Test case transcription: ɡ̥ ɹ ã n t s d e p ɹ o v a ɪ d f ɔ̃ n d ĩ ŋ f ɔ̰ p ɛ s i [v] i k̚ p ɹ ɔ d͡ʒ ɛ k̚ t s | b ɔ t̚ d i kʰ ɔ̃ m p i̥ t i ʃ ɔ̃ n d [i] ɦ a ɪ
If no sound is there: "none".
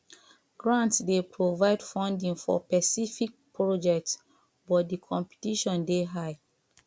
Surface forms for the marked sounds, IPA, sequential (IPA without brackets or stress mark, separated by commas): f, e